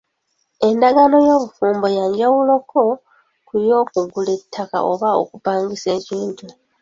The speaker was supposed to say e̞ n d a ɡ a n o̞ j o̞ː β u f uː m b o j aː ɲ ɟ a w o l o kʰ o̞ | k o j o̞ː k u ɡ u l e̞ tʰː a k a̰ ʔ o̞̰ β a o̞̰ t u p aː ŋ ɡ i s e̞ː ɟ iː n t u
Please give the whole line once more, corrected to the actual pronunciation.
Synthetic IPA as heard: e̞ n d a ɡ a n o̞ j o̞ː β u f uː m b o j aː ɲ ɟ a w u l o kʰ o̞ | k u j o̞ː k u ɡ u l e̞ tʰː a k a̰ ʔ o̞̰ β a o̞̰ k u p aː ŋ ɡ i s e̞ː c iː n t u